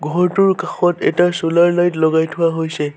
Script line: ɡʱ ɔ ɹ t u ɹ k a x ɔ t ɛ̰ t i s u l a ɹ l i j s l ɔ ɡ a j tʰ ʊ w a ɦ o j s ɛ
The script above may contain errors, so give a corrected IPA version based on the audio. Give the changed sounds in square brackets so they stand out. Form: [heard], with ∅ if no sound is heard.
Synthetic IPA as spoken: ɡʱ ɔ ɹ t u ɹ k a x ɔ t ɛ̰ t [a] s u l a ɹ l [a] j [t] l ɔ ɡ a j tʰ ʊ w a ɦ o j s ɛ